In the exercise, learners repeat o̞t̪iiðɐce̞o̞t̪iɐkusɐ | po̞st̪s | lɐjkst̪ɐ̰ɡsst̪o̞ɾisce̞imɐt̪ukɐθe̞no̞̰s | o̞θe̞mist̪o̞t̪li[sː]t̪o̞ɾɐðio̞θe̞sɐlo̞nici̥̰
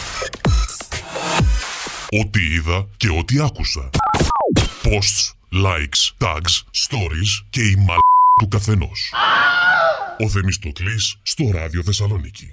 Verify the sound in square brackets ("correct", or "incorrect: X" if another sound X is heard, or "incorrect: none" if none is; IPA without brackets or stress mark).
correct